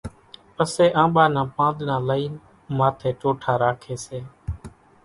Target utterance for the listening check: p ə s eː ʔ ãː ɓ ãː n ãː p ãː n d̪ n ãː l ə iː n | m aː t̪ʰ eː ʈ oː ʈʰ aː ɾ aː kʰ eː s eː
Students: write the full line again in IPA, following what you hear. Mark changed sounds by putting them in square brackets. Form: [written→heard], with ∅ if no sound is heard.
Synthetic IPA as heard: p ə s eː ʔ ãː ɓ [ãː→aː] n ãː p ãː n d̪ n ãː l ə iː n | m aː t̪ʰ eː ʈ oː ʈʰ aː ɾ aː kʰ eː s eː

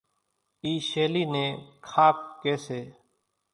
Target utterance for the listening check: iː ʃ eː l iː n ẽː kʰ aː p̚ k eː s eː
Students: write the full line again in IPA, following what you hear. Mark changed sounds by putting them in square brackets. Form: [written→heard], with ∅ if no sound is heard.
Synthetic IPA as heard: iː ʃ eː l iː n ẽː kʰ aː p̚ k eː s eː

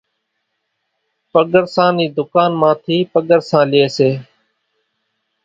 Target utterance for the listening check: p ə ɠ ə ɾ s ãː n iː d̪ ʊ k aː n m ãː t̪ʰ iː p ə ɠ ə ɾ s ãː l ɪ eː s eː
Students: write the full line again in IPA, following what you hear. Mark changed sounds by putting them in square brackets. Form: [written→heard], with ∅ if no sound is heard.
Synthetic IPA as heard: p ə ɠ ə ɾ s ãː n iː d̪ ʊ k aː n m ãː t̪ʰ iː p ə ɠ ə ɾ s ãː l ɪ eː s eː

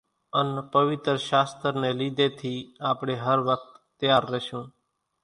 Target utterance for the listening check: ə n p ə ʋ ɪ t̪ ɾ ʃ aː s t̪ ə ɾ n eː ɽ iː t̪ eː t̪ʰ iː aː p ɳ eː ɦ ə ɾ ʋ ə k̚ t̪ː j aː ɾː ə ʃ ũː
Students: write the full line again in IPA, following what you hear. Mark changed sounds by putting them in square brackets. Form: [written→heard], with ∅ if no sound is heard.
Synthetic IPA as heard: ə n p ə ʋ ɪ t̪ ɾ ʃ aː s t̪ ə ɾ n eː [ɽ→l] iː [t̪→d̪] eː t̪ʰ iː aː p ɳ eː ɦ ə ɾ ʋ ə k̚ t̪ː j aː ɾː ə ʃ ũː

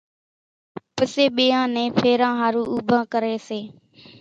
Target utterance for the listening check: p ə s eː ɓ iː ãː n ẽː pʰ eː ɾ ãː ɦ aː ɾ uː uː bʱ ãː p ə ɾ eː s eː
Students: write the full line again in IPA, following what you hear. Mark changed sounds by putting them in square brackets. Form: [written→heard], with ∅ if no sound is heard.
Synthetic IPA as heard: p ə s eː ɓ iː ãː n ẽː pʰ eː ɾ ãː ɦ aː ɾ uː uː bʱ ãː [p→k] ə ɾ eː s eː

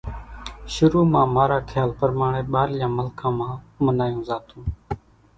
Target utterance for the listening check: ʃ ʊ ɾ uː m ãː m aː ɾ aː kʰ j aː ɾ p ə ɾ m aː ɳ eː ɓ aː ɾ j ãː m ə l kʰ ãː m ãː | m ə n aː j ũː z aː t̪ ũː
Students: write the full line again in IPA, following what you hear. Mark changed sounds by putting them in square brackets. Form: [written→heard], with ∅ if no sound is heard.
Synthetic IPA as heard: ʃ ʊ ɾ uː m ãː m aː ɾ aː kʰ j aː [ɾ→l] p ə ɾ m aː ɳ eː ɓ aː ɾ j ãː m ə l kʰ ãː m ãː | m ə n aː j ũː z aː t̪ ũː

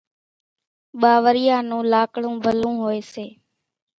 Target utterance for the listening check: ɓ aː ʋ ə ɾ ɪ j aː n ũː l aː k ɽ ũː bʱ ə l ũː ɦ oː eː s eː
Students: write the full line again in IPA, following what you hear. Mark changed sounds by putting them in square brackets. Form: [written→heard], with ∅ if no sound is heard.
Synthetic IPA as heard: ɓ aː ʋ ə ɾ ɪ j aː n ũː l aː k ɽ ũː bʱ ə l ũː ɦ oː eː s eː

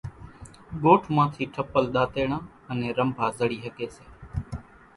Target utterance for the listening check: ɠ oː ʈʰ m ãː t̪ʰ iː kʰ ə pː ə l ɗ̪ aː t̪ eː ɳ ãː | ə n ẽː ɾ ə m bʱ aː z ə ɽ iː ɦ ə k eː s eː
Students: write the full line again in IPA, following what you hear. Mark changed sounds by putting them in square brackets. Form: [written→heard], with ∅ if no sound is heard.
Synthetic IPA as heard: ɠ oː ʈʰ m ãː t̪ʰ iː [kʰ→ʈʰ] ə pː ə l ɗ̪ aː t̪ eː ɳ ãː | ə n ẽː ɾ ə m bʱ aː z ə ɽ iː ɦ ə k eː s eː

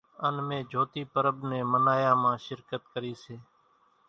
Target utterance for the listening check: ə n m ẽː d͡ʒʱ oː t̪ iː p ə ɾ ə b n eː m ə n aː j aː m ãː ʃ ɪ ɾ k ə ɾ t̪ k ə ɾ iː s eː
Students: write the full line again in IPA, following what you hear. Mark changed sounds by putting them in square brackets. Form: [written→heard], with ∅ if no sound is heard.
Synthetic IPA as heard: ə n m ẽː d͡ʒʱ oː t̪ iː p ə ɾ ə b n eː m ə n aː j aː m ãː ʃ ɪ ɾ k ə [ɾ→∅] t̪ k ə ɾ iː s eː

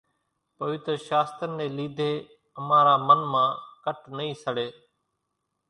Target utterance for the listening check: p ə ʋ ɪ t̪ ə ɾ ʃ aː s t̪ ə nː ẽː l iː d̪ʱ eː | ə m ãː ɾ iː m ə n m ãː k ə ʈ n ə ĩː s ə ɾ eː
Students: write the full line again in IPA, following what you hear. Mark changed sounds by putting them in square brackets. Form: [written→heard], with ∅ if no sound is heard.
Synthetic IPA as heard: p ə ʋ ɪ t̪ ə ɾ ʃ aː s t̪ ə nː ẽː l iː d̪ʱ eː | ə m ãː ɾ [iː→aː] m ə n m ãː k ə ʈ n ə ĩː s ə [ɾ→ɽ] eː

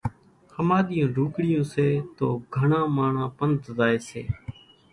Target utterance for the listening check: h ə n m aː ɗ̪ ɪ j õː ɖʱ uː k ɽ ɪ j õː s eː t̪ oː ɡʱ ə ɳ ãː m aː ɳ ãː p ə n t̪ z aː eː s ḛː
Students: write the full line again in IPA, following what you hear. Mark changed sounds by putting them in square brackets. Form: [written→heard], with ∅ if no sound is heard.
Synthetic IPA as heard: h ə [n→∅] m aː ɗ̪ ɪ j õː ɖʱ uː k ɽ ɪ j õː s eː t̪ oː ɡʱ ə ɳ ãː m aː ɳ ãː p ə n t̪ z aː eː s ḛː

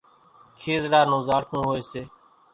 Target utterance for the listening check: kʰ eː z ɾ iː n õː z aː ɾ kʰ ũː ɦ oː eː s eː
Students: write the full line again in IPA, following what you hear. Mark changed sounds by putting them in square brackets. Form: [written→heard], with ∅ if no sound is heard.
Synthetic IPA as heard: kʰ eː z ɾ [iː→aː] n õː z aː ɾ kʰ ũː ɦ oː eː s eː

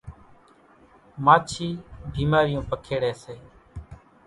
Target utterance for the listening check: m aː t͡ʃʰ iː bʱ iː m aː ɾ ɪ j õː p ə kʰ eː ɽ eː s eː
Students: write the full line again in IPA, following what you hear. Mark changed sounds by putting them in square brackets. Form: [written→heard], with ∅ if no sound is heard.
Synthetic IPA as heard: m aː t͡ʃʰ iː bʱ iː m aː ɾ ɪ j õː p ə kʰ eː ɽ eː s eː

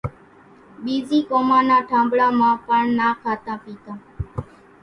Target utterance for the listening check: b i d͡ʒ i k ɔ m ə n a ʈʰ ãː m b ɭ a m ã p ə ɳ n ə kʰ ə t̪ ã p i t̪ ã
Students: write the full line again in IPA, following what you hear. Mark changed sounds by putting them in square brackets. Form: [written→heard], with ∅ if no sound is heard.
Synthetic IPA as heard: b i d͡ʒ i k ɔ m [ə→a] n a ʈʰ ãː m b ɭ a m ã p ə ɳ n [ə→a] kʰ [ə→a] t̪ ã p i t̪ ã

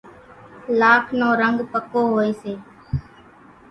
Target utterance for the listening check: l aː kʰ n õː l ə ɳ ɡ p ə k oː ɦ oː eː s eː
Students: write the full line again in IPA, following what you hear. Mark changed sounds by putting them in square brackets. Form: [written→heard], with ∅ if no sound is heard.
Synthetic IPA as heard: l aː kʰ n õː [l→ɾ] ə [ɳ→ŋ] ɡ p ə k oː ɦ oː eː s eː

